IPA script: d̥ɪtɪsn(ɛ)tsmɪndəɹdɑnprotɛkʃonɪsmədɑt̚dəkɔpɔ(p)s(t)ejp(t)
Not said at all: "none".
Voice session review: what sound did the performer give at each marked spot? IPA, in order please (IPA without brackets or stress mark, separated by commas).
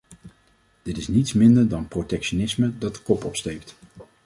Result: i, p, t, t